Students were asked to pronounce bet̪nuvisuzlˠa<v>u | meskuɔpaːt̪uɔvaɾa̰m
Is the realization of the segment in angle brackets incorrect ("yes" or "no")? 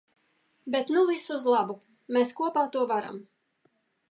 yes